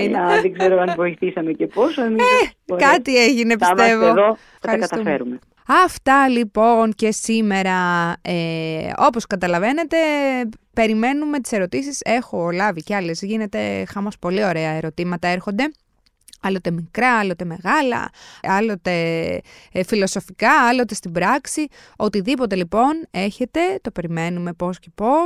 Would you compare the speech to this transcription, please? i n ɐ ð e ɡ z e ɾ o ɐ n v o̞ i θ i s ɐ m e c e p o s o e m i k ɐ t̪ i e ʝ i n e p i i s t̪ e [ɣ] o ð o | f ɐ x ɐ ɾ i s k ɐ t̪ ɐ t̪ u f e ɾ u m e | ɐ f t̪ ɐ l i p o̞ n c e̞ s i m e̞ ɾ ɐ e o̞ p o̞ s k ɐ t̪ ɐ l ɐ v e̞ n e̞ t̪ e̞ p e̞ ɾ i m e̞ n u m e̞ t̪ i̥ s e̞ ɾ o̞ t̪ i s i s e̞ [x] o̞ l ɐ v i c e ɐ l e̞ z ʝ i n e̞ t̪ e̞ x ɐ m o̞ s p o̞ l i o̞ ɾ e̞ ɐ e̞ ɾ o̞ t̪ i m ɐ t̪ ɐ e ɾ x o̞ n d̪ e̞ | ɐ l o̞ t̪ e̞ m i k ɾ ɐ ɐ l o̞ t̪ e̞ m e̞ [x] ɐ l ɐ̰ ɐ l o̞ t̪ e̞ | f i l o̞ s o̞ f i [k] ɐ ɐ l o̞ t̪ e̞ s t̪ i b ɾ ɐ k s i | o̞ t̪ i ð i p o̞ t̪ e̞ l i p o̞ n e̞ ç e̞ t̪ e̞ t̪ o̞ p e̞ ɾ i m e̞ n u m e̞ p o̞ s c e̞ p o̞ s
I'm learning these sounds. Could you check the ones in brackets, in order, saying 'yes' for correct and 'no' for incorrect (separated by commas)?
no, yes, no, yes